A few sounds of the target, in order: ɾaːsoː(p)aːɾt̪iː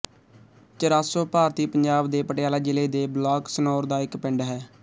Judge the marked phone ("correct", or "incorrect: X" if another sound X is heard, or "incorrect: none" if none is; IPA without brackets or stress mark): correct